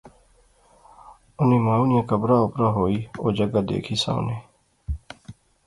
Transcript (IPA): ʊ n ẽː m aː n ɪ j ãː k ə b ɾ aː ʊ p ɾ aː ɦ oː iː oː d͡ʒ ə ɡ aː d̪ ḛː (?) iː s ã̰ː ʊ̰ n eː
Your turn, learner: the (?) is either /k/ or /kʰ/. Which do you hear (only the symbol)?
kʰ